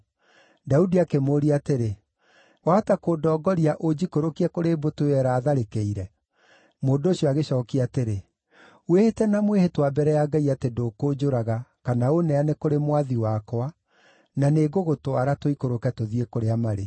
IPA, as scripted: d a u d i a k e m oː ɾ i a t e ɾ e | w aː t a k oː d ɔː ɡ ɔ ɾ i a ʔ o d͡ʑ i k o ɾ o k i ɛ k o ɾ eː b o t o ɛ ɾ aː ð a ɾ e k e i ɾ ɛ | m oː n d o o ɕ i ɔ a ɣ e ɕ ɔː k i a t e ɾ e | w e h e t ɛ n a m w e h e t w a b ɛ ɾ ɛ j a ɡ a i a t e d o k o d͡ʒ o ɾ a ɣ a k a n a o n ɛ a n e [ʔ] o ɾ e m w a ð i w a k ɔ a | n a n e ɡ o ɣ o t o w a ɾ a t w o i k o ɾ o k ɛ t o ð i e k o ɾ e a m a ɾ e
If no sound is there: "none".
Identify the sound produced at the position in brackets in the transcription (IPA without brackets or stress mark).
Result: k